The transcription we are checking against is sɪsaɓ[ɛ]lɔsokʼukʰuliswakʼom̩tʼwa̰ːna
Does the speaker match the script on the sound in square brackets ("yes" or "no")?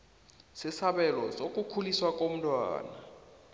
yes